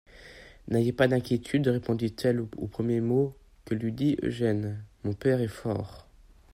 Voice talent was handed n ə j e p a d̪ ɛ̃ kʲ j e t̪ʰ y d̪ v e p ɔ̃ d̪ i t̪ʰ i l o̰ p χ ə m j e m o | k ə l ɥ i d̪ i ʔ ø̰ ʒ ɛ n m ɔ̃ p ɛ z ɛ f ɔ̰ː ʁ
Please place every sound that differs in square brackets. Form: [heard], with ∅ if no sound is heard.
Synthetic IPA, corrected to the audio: n [a] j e p a d̪ ɛ̃ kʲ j e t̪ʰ y d̪ [ʁ] e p ɔ̃ d̪ i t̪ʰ [ɛ] l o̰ p χ ə m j e m o | k ə l ɥ i d̪ i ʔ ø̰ ʒ ɛ n m ɔ̃ p ɛ [ʁ] ɛ f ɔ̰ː ʁ